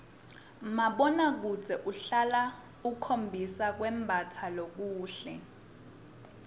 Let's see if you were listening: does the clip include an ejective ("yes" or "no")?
no